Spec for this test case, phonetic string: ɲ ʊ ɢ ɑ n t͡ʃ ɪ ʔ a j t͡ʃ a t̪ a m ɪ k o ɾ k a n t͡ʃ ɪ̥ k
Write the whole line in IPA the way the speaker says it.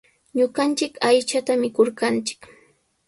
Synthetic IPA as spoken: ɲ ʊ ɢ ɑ n t͡ʃ ɪ k a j t͡ʃ a t̪ a m ɪ k o ɾ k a n t͡ʃ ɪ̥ k